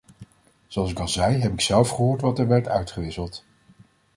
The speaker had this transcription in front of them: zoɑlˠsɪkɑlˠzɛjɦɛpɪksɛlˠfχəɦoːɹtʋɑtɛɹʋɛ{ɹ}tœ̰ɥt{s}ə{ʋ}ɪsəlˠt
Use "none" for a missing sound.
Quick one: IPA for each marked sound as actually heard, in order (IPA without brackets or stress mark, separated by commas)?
ɹ, χ, ʋ